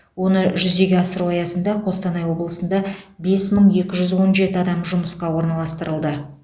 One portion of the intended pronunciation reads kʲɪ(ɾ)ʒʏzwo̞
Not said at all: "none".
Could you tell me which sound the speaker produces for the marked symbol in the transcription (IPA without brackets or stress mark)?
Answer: none